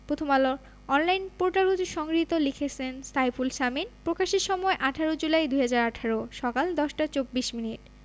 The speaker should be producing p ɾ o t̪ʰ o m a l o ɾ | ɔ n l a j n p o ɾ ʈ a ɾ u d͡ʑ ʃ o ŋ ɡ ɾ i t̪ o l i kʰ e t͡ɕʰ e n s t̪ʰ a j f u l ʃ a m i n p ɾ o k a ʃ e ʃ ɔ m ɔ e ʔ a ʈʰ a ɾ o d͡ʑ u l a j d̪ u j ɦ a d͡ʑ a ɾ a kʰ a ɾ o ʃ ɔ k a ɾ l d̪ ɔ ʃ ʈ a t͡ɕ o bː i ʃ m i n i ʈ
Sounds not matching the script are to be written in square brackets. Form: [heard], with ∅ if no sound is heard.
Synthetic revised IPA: p ɾ o t̪ʰ o m a l o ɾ | ɔ n l a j n p o ɾ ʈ a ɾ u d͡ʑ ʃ [ɔ] ŋ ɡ ɾ i t̪ o l i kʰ e t͡ɕʰ e n s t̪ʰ a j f u l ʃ a m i n p ɾ o k a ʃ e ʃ ɔ m ɔ e ʔ a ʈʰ a ɾ o d͡ʑ u l a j d̪ u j ɦ a d͡ʑ a ɾ a [ʈʰ] a ɾ o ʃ ɔ k a [∅] l d̪ ɔ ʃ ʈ a t͡ɕ o bː i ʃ m i n i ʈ